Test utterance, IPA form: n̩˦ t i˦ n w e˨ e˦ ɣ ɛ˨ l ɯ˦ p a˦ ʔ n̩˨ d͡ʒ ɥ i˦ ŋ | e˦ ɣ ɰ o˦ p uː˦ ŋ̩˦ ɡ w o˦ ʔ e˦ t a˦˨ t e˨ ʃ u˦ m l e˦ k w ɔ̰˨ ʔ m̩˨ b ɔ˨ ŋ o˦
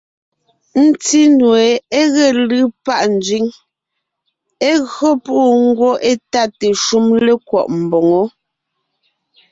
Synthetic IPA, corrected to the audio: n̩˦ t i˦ n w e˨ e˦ ɣ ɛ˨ l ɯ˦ p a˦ ʔ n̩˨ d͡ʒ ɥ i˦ ŋ | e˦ ɣ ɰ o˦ p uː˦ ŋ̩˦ ɡ w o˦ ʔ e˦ t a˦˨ t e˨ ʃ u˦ m l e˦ k w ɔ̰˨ ʔ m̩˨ b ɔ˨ ŋ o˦